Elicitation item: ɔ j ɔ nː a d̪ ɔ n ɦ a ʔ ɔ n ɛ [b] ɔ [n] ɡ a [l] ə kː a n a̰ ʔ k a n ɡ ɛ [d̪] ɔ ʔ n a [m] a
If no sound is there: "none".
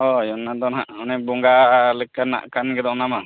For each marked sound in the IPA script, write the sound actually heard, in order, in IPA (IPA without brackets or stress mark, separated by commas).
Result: b, ŋ, l, d̪, m